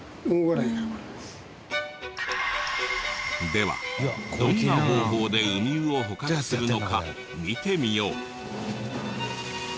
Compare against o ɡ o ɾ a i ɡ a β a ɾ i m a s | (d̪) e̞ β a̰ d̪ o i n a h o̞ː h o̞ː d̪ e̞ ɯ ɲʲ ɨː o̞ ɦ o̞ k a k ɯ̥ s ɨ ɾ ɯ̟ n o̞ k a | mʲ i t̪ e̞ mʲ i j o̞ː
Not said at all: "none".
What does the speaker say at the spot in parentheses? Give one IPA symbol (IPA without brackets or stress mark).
d̪